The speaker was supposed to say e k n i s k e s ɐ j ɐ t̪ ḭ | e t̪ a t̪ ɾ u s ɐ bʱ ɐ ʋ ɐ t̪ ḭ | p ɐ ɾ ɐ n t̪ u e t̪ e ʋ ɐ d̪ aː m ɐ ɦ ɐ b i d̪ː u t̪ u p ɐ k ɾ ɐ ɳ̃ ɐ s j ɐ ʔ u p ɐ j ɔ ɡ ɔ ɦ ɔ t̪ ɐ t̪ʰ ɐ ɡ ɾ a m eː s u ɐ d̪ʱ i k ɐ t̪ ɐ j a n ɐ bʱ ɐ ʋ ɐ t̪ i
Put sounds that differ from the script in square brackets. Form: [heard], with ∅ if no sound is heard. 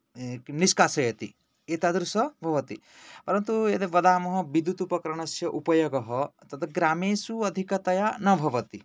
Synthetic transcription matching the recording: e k n i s k [a] s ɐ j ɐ t̪ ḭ | e t̪ a [d̪] ɾ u s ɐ bʱ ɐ ʋ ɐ t̪ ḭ | p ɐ ɾ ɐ n t̪ u e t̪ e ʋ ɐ d̪ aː m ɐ ɦ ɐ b i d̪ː u t̪ u p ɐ k ɾ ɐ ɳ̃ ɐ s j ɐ ʔ u p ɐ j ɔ ɡ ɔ ɦ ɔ t̪ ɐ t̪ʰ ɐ ɡ ɾ a m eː s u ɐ d̪ʱ i k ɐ t̪ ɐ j a n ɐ bʱ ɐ ʋ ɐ t̪ i